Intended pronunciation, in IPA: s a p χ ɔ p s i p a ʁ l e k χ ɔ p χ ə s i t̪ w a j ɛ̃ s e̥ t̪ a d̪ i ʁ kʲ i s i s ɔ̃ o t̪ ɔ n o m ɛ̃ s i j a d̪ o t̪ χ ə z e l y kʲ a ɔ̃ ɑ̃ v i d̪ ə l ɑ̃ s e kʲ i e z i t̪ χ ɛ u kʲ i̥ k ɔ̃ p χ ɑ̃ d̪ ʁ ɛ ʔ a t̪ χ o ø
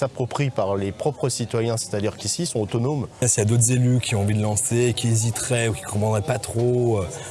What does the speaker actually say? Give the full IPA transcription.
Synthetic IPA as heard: s a p χ ɔ p χ i p a ʁ l e p χ ɔ p χ ə s i t̪ w a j ɛ̃ s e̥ t̪ a d̪ i ʁ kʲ i s i s ɔ̃ o t̪ ɔ n o m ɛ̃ s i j a d̪ o t̪ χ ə z e l y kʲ i ɔ̃ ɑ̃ v i d̪ ə l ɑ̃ s e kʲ i e z i t̪ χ ɛ u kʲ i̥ k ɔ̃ p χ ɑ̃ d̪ ʁ ɛ p a t̪ χ o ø